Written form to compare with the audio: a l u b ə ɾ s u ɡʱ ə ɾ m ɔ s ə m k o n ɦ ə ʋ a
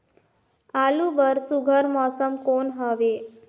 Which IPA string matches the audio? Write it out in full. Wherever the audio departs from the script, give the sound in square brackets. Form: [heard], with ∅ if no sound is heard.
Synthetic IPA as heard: a l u b ə ɾ s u ɡʱ ə ɾ m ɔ s ə m k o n ɦ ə ʋ [e]